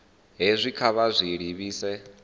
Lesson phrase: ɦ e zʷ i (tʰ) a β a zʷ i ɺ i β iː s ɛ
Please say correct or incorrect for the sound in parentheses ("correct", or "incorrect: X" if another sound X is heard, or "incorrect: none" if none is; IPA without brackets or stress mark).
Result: incorrect: kʰ